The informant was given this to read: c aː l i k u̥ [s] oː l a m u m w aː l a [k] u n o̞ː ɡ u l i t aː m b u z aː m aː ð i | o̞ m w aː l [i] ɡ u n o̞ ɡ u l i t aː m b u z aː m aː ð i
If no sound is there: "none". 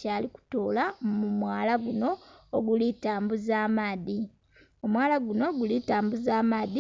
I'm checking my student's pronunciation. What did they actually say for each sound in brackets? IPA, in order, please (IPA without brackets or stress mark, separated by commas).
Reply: t, ɡ, a